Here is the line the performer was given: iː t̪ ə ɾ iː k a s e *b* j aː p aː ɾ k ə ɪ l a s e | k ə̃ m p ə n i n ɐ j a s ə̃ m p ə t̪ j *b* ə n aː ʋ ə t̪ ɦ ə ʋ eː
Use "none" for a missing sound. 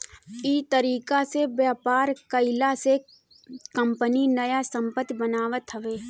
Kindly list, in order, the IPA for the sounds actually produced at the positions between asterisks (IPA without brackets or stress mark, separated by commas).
b, b